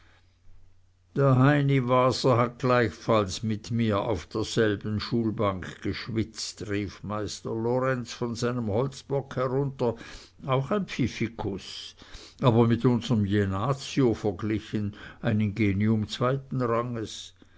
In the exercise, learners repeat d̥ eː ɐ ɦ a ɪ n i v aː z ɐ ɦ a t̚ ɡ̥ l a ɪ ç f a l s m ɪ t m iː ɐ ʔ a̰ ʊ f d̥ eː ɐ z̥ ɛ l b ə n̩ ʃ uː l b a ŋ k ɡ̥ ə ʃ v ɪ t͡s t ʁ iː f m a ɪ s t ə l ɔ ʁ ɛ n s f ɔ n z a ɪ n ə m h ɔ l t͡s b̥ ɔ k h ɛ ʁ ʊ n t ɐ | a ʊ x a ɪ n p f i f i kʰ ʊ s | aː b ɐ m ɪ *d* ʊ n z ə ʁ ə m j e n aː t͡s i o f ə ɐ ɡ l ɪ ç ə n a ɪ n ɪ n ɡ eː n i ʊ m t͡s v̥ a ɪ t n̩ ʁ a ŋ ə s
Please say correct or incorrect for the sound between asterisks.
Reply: incorrect